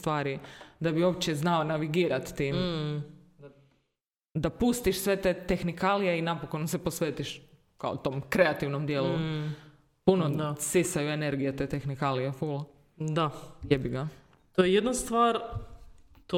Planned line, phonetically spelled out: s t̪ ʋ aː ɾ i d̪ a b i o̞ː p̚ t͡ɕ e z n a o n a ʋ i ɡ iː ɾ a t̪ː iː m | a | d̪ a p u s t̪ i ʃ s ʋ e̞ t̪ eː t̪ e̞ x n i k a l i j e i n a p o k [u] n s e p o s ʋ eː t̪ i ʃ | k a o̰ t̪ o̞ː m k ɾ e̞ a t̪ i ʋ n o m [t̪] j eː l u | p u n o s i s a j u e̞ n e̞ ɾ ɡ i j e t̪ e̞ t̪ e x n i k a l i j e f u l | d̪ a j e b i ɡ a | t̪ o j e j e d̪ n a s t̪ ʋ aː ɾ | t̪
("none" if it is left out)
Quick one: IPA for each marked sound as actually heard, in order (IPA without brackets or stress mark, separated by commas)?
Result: o, d̪